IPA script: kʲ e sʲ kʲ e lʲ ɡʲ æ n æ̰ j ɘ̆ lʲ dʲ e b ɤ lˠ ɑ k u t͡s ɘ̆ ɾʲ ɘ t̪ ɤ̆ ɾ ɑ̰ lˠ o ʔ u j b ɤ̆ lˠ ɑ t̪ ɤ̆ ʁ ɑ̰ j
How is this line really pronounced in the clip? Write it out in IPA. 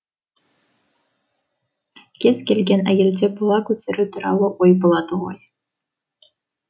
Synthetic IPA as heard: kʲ e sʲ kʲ e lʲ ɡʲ e n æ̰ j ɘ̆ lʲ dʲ e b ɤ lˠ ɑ k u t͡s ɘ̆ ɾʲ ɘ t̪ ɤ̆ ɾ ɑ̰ lˠ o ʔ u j b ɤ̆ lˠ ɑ t̪ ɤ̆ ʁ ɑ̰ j